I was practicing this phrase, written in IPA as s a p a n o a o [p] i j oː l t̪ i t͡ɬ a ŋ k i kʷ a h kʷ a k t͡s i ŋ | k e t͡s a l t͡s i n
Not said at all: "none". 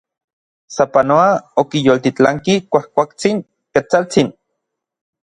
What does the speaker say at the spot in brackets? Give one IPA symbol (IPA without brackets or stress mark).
k